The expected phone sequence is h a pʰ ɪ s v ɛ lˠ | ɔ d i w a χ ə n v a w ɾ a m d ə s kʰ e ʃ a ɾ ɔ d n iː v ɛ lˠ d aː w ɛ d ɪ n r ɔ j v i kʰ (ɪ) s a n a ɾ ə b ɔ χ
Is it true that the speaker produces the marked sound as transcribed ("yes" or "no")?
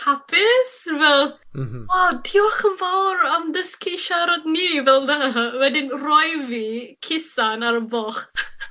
yes